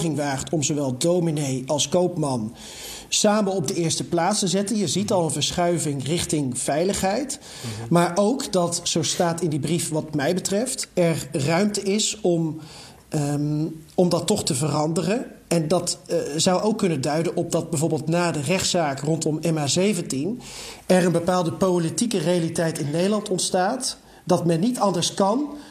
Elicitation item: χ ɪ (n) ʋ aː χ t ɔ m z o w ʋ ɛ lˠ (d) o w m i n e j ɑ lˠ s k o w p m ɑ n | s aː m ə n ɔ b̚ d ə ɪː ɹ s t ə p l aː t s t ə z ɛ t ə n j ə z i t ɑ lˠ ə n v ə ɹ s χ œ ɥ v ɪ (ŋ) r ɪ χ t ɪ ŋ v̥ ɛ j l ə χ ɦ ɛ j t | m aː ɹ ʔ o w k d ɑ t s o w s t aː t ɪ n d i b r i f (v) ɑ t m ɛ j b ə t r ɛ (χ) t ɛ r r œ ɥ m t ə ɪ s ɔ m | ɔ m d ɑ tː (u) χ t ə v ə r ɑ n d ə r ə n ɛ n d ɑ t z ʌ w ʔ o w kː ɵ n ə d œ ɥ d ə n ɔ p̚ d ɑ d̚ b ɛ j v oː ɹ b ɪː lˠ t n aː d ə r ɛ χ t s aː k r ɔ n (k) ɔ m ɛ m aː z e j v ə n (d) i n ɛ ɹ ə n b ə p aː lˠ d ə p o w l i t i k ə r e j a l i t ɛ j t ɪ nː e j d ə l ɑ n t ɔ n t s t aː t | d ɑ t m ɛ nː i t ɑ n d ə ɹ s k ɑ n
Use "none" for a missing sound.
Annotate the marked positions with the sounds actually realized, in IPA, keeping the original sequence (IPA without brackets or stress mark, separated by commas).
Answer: ŋ, d, ŋ, ʋ, f, ɔ, t, t